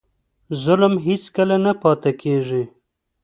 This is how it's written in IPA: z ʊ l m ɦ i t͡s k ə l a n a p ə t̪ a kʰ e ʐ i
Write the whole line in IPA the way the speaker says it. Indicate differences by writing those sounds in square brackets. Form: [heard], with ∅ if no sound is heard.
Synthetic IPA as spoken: z ʊ l m ɦ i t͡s k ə l a n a p [ɑ] t̪ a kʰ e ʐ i